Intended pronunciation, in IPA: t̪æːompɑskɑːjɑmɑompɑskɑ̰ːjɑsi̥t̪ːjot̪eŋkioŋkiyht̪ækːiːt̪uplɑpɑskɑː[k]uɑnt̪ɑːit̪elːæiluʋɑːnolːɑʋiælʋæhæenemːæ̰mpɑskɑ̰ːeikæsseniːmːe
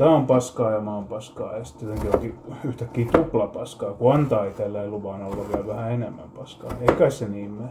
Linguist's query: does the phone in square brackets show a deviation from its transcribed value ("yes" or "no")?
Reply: no